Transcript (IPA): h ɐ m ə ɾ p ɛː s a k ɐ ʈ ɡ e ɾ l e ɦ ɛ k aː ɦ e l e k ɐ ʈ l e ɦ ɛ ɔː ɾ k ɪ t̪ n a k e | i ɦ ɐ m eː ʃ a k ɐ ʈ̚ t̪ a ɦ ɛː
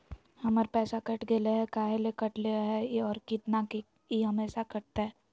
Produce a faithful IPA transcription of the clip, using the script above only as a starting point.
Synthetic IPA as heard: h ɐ m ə ɾ p ɛː s a k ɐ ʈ ɡ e l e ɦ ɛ k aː ɦ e l e k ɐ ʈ l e ɦ ɛ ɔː ɾ k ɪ t̪ n a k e | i ɦ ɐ m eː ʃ a k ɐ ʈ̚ t̪ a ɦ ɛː

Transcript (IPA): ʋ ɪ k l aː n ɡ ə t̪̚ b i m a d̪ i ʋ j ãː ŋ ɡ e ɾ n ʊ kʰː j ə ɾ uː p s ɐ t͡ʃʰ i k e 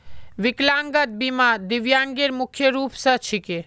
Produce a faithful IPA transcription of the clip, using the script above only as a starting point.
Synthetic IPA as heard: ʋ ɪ k l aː ŋ ɡ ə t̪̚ b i m a d̪ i ʋ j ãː ŋ ɡ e ɾ m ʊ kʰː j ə ɾ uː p s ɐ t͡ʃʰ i k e

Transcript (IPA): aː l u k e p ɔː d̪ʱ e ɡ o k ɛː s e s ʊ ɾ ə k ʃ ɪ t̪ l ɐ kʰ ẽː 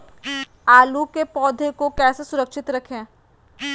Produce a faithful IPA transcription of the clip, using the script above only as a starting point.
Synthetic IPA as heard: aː l u k e p ɔː d̪ʱ e k o k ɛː s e s ʊ ɾ ə k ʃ ɪ t̪ ɾ ɐ kʰ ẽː

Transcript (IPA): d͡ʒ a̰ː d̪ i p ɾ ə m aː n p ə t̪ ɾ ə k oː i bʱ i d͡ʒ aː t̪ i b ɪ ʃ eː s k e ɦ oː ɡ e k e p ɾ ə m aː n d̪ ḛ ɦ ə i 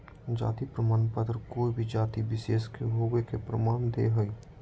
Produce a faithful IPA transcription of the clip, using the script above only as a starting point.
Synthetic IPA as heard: d͡ʒ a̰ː t̪ i p ɾ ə m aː n p ə t̪ ɾ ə k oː i bʱ i d͡ʒ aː t̪ i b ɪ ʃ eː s k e ɦ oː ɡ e k e p ɾ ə m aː n d̪ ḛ ɦ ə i

